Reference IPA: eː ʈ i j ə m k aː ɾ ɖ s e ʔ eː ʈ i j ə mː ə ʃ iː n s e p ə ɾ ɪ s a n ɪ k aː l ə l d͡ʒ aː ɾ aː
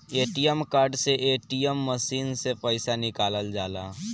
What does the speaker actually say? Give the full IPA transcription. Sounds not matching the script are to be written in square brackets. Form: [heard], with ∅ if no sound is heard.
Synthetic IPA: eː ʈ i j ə m k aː ɾ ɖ s e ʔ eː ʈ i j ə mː ə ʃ iː n s e p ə [∅] ɪ s a n ɪ k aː l ə l d͡ʒ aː [l] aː